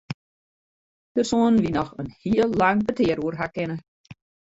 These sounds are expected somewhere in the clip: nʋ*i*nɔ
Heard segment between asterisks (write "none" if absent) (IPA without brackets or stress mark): i